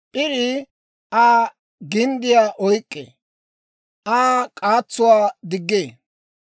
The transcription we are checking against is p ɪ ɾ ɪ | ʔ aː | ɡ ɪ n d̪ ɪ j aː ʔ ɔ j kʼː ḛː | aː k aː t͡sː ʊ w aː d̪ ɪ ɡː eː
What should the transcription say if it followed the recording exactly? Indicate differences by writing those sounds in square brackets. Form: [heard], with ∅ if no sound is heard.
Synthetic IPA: [pʼ] ɪ ɾ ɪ | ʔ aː | ɡ ɪ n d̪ ɪ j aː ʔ ɔ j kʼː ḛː | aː [kʼ] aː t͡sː ʊ w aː d̪ ɪ ɡː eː